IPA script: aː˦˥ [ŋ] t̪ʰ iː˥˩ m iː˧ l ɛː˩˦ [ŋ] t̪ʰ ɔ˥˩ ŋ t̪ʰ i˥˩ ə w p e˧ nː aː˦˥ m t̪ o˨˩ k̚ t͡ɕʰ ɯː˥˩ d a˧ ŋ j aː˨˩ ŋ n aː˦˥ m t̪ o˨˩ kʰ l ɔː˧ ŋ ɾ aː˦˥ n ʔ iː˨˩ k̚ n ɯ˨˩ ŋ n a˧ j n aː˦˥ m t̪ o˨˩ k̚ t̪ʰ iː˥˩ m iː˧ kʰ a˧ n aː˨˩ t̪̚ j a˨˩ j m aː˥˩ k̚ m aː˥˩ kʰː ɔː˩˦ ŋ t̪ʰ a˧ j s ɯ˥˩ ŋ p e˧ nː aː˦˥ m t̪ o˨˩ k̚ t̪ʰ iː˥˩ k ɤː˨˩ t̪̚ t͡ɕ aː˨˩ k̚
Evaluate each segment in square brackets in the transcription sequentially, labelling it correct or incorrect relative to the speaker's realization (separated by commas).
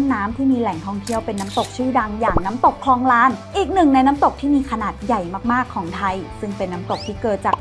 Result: incorrect, correct